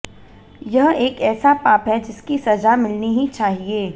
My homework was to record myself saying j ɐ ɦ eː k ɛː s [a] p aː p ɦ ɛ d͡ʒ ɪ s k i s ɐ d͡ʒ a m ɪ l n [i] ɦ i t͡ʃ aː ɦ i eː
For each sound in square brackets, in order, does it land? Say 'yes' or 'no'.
yes, yes

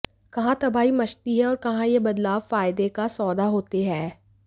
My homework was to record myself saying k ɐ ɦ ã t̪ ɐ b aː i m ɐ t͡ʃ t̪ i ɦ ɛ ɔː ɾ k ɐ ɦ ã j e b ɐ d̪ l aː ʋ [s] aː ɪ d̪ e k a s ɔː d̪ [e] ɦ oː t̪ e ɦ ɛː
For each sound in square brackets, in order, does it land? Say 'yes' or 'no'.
no, no

